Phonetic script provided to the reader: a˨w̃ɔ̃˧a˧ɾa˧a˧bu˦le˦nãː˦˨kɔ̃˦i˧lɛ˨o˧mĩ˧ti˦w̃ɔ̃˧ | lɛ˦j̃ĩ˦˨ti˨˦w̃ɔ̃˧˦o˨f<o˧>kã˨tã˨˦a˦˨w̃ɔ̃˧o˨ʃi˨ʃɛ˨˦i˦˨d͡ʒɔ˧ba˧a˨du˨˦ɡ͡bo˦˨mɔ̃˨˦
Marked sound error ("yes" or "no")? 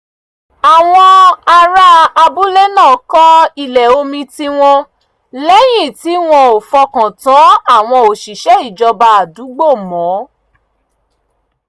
yes